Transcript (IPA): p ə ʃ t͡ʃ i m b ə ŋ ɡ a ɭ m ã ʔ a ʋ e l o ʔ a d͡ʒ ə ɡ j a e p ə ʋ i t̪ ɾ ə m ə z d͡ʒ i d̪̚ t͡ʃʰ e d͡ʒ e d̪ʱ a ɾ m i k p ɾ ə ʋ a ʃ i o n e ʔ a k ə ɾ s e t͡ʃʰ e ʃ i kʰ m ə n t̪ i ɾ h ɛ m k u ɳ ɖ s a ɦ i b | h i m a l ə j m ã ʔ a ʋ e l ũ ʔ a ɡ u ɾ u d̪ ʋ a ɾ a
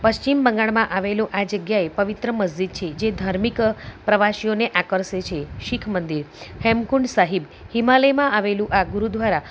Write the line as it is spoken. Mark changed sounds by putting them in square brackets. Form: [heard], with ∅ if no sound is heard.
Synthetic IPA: p ə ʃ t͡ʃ i m b ə ŋ ɡ a ɭ m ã ʔ a ʋ e l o ʔ a d͡ʒ ə ɡ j a e p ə ʋ i t̪ ɾ ə m ə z d͡ʒ i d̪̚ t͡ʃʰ e d͡ʒ e d̪ʱ a ɾ m i k p ɾ ə ʋ a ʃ i o n e ʔ a k ə ɾ s e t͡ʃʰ e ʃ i kʰ m ə n [d̪] i ɾ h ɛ m k u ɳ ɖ s a ɦ i b | h i m a l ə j m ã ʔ a ʋ e l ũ ʔ a ɡ u ɾ u d̪ ʋ a ɾ a